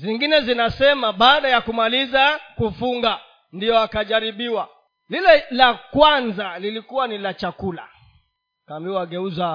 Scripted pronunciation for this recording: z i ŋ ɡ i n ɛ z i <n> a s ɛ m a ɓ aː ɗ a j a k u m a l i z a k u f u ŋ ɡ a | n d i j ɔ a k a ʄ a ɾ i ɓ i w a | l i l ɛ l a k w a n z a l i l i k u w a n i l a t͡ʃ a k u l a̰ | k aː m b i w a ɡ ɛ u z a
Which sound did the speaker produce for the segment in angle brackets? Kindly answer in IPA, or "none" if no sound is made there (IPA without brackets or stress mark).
n